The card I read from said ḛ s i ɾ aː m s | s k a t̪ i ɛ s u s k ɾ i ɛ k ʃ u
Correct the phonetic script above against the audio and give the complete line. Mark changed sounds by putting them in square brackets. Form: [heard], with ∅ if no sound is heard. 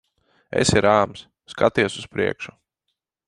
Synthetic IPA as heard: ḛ s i ɾ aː m s | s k a t̪ i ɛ s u s [p] ɾ i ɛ k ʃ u